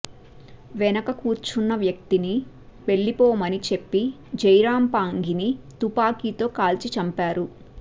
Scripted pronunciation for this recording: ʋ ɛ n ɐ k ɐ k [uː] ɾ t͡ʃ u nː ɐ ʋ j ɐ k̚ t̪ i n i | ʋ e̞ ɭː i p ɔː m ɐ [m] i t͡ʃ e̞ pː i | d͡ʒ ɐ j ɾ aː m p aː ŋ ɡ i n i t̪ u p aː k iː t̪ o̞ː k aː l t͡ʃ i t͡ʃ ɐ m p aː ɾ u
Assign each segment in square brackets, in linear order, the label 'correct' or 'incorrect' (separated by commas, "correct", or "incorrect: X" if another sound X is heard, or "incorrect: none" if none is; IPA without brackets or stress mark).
correct, incorrect: n